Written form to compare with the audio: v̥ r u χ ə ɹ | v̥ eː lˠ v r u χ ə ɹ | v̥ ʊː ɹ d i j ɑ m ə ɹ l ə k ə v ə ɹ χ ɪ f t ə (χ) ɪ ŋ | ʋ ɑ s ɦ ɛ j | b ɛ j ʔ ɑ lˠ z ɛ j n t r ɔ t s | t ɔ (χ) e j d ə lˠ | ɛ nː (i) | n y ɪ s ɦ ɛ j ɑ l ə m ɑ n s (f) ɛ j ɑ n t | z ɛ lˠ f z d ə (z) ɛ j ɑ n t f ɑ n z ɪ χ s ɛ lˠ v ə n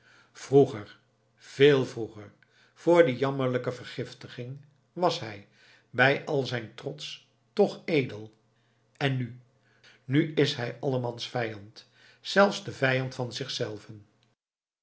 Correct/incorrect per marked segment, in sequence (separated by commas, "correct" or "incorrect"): correct, correct, incorrect, correct, incorrect